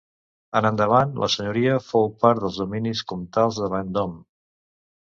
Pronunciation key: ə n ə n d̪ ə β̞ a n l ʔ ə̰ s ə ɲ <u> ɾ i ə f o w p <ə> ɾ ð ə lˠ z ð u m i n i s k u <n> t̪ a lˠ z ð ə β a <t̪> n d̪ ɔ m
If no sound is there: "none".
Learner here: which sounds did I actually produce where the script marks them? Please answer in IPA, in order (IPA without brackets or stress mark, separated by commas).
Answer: u, a, m, none